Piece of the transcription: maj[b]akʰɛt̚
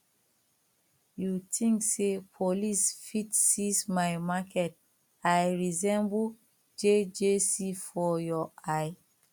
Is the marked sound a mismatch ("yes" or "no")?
yes